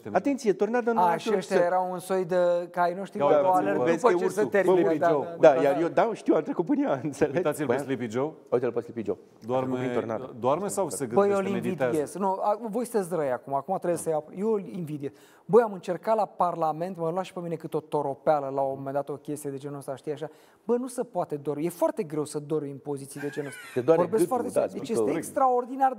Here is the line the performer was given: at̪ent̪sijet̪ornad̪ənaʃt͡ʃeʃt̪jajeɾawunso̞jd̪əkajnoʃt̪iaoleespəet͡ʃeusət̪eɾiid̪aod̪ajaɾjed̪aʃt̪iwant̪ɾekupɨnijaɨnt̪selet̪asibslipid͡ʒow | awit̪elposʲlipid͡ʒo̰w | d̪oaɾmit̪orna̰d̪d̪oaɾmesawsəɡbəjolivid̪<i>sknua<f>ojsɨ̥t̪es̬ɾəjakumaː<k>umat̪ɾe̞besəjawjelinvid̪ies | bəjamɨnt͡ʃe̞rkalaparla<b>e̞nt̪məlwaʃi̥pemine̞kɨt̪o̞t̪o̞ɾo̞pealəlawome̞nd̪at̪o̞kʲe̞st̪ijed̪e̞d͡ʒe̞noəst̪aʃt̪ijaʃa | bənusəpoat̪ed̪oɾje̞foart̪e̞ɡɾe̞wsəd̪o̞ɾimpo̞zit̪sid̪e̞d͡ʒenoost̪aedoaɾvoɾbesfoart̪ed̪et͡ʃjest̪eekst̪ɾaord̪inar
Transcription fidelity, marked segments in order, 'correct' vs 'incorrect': incorrect: e, incorrect: v, correct, incorrect: m

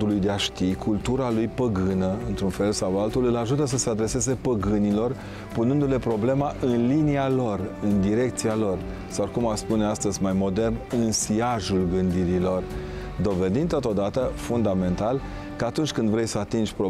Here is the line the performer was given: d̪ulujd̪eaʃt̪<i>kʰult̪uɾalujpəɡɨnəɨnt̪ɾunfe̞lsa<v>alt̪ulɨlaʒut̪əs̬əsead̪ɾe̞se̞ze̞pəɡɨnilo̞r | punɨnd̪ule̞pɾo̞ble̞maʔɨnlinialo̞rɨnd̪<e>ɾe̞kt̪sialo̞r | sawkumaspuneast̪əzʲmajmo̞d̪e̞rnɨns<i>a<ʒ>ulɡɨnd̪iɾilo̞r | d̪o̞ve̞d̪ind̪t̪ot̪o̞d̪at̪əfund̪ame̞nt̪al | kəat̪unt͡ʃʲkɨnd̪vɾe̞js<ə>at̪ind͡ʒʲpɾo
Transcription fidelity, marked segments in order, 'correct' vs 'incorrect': correct, incorrect: w, incorrect: i, correct, correct, correct

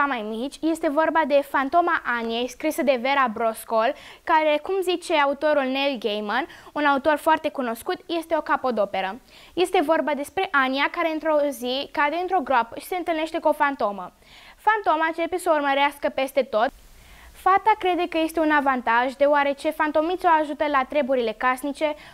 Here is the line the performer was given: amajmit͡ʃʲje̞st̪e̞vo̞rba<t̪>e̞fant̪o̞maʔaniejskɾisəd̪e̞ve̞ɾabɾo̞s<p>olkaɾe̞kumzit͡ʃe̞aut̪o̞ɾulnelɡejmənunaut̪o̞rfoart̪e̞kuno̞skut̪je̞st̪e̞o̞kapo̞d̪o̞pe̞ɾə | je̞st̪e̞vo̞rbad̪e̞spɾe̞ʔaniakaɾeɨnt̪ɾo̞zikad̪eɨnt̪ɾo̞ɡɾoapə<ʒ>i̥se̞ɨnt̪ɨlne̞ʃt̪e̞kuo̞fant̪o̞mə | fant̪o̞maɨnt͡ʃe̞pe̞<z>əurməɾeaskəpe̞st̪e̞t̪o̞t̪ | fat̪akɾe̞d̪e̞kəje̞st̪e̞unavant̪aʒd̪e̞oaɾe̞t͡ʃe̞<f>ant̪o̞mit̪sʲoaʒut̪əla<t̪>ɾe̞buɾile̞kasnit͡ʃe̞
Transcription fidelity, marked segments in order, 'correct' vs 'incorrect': incorrect: d̪, incorrect: k, incorrect: ʃ, incorrect: s, correct, correct

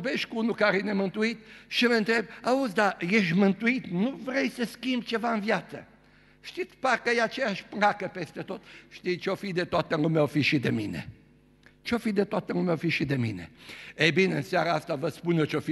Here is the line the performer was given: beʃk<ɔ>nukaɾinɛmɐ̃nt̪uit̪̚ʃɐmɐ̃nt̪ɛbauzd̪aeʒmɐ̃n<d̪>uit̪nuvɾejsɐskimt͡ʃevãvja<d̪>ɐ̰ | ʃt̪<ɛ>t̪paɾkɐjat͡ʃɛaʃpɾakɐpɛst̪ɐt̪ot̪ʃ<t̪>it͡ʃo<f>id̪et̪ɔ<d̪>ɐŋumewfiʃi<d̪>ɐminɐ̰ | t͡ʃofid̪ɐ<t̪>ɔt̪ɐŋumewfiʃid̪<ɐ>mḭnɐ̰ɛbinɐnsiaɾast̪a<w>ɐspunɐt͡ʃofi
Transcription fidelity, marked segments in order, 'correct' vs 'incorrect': incorrect: u, incorrect: t̪, incorrect: t̪, incorrect: i, correct, correct, incorrect: t̪, correct, correct, correct, incorrect: v

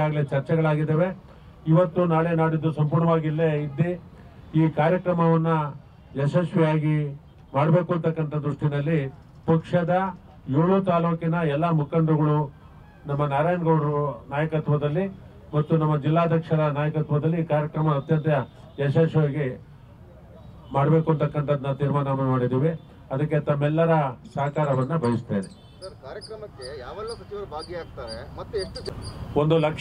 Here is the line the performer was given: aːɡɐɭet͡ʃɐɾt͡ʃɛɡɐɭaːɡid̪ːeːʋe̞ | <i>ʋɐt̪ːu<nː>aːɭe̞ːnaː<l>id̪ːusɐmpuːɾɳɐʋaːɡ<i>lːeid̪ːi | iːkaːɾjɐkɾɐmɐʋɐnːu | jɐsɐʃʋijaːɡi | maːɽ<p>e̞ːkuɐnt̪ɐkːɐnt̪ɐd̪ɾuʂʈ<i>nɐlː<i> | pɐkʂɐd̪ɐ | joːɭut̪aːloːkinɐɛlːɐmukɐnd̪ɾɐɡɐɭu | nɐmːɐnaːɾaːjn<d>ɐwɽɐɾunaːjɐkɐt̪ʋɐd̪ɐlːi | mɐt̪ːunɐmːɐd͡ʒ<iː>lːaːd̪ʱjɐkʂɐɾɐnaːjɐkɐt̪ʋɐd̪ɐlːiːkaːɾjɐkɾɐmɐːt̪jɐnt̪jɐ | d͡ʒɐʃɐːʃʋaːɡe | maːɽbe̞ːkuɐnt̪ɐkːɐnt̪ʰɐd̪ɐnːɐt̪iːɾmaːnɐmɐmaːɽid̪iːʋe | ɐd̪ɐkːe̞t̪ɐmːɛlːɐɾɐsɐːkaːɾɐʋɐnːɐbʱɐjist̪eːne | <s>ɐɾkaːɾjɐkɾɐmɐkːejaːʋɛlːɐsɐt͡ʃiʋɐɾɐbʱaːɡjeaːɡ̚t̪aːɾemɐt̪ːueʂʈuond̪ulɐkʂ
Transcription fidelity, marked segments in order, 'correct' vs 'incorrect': correct, incorrect: n, incorrect: ɽ, correct, incorrect: b, correct, correct, incorrect: ɡ, incorrect: i, correct

